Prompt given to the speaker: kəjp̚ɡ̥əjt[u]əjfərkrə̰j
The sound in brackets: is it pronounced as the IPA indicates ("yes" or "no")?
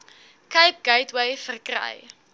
no